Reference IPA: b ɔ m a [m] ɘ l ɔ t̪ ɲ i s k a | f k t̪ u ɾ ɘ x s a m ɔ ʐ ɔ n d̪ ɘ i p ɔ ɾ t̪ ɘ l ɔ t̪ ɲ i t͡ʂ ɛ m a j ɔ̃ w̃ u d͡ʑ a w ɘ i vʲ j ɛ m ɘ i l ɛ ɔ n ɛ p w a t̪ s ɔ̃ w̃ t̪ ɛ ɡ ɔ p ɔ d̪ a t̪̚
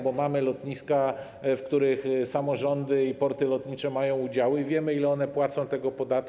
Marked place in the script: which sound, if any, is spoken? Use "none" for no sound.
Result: m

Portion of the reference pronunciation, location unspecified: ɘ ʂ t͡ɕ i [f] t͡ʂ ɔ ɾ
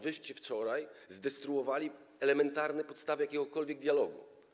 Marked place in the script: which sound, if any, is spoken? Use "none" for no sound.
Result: f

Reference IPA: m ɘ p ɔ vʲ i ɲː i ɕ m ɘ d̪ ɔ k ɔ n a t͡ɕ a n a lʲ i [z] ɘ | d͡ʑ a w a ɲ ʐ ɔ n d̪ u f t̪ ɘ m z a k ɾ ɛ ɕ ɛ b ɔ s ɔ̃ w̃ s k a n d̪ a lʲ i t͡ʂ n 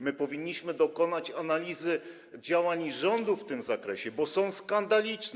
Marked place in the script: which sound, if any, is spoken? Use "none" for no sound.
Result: z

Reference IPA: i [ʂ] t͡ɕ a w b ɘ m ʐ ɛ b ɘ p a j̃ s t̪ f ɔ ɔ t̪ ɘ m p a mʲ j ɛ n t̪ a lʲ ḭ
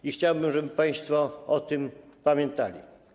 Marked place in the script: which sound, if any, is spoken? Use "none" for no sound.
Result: x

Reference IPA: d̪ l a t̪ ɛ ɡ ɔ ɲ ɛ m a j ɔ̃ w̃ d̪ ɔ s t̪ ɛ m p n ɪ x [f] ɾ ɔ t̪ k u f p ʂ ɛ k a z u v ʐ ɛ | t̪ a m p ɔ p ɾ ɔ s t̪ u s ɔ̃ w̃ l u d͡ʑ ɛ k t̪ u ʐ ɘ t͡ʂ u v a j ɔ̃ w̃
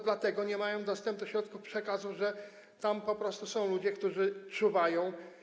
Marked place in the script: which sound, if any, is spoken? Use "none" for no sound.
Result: ɕ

